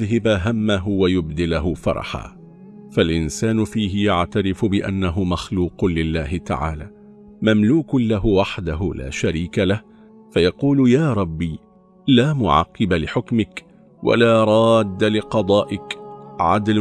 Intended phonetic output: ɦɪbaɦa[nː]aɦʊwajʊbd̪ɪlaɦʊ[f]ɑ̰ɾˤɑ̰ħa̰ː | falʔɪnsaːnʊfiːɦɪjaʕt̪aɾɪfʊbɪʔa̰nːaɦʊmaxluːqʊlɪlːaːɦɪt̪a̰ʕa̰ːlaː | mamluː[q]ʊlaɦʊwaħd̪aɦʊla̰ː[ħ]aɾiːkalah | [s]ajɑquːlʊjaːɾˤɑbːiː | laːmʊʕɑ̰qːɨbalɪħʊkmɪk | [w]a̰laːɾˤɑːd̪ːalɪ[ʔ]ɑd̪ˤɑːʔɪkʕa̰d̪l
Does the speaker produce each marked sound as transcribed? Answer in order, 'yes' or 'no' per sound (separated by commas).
no, yes, no, no, no, yes, no